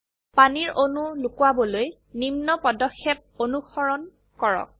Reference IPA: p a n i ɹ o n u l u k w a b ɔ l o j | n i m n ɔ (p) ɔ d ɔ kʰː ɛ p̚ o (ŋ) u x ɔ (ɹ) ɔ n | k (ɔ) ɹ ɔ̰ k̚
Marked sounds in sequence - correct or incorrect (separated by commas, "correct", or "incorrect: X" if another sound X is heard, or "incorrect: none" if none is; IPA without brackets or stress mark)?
correct, incorrect: n, correct, correct